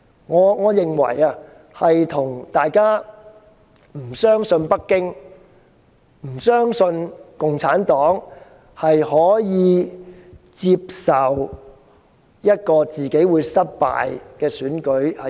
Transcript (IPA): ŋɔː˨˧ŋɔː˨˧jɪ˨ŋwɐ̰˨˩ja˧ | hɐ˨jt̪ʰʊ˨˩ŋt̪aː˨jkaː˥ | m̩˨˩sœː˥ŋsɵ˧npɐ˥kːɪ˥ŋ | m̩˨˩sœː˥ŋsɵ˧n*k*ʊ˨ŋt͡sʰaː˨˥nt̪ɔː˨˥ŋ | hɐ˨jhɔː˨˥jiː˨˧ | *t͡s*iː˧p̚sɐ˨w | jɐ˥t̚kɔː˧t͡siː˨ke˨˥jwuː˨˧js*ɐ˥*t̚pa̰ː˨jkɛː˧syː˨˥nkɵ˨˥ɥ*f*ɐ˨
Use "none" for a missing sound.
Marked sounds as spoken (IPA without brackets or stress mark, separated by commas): k, t͡s, ɐ˥, h